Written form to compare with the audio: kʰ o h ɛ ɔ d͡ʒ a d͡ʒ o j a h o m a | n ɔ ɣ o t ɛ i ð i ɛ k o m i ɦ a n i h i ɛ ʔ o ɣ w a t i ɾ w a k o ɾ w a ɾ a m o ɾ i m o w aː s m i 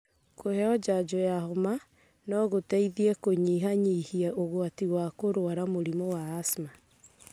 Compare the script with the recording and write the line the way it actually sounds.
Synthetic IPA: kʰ o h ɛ ɔ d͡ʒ a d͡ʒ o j a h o m a | n ɔ ɣ o t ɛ i ð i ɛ k o ɲ i ɦ a ɲ i h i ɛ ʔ o ɣ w a t i w a k o ɾ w a ɾ a m o ɾ i m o w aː s m a